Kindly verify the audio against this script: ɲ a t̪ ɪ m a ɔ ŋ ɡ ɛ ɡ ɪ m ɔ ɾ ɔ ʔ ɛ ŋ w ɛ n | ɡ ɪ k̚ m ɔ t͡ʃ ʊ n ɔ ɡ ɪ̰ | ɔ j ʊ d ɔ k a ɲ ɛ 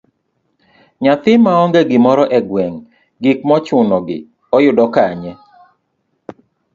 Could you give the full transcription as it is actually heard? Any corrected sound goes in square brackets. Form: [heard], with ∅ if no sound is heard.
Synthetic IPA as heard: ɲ a t̪ ɪ m a ɔ ŋ ɡ ɛ ɡ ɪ m ɔ ɾ ɔ ʔ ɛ [ɡ] w ɛ [ŋ] | ɡ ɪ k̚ m ɔ t͡ʃ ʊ n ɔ ɡ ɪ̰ | ɔ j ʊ d ɔ k a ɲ ɛ

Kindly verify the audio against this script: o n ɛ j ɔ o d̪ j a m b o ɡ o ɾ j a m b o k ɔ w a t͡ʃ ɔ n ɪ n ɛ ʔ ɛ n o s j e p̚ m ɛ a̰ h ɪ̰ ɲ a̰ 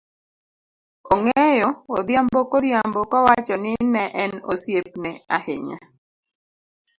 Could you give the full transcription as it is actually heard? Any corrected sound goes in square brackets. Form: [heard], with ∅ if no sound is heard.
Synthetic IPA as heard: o [ŋ] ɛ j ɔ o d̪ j a m b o [k] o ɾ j a m b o k ɔ w a t͡ʃ ɔ n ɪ n ɛ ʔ ɛ n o s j e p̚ [n] ɛ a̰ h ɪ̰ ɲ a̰

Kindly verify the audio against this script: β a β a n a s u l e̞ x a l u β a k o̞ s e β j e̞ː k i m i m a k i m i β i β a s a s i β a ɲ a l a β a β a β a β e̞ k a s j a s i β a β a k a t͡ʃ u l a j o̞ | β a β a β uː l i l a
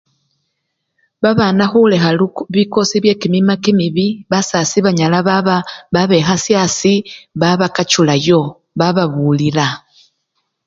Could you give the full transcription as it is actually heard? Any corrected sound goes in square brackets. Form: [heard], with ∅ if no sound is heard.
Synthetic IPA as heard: β a β a n a [x] u l e̞ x a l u β [i] k o̞ s [i] β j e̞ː k i m i m a k i m i β i β a s a s i β a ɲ a l a β a β a β a β e̞ [x] a s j a s i β a β a k a t͡ʃ u l a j o̞ | β a β a β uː l i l a

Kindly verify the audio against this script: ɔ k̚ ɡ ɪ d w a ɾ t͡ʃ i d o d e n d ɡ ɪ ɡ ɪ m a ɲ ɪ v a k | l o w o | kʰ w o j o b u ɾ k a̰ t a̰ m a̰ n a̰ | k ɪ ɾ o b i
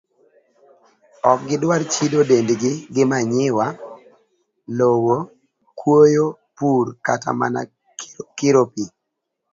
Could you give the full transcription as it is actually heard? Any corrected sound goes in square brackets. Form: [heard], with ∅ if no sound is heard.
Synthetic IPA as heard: ɔ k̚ ɡ ɪ d w a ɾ t͡ʃ i d o d e n d ɡ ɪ ɡ ɪ m a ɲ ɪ [w] a [∅] | l o w o | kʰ w o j o [p] u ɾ k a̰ t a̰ m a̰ n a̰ | k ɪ ɾ o [p] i

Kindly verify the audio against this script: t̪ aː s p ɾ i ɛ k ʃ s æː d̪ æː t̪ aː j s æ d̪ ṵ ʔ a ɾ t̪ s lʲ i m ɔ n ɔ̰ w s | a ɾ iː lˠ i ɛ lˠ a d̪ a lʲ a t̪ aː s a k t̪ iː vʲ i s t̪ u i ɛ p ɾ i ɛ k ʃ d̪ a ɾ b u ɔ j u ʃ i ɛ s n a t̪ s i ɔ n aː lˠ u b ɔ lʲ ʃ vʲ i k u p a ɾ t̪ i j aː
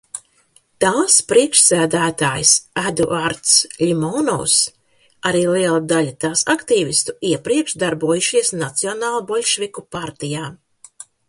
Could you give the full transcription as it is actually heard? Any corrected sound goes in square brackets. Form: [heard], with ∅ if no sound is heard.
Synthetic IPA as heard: t̪ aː s p ɾ i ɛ k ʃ s æː d̪ æː t̪ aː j s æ d̪ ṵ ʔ a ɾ t̪ s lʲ i m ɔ n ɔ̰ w s | a ɾ iː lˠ i ɛ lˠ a d̪ a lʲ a t̪ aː s a k t̪ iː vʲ i s t̪ u i ɛ p ɾ i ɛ k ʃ d̪ a ɾ b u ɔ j u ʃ i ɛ s n a t̪ s i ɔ n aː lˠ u b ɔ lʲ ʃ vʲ i k u p a ɾ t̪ i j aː

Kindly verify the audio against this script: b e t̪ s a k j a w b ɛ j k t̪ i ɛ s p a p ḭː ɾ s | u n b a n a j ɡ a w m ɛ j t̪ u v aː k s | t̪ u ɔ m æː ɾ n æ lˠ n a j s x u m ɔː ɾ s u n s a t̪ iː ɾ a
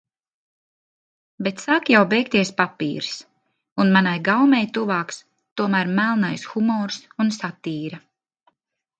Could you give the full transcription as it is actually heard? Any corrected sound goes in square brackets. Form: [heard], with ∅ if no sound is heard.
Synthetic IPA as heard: b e t̪ s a k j a w b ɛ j k t̪ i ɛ s p a p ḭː ɾ s | u n [m] a n a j ɡ a w m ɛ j t̪ u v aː k s | t̪ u ɔ m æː ɾ [m] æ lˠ n a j s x u m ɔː ɾ s u n s a t̪ iː ɾ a

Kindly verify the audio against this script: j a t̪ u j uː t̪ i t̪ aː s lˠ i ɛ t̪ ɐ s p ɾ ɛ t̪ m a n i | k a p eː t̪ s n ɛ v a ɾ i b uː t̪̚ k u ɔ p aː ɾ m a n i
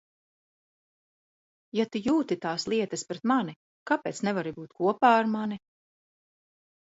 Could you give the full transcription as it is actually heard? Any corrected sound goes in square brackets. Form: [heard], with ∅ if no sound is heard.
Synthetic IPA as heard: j a t̪ u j uː t̪ i t̪ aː s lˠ i ɛ t̪ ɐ s p ɾ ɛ t̪ m a n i | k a p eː t̪ s n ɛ v a ɾ i b uː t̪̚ k u ɔ p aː ɾ m a n i

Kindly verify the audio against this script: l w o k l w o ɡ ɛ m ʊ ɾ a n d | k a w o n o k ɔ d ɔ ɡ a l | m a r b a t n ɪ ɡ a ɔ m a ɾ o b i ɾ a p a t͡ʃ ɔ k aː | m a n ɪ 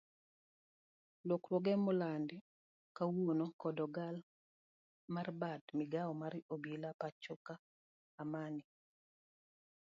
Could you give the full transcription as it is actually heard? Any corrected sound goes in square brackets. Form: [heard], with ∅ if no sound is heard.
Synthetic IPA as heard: l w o k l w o ɡ ɛ m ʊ [l] a n d | k a w o n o k ɔ d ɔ ɡ a l | m a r b a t [m] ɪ ɡ a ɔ m a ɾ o b i [l] a p a t͡ʃ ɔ k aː | m a n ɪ

